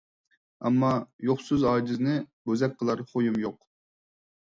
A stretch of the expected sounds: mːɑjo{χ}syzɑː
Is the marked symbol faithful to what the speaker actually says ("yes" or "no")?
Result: yes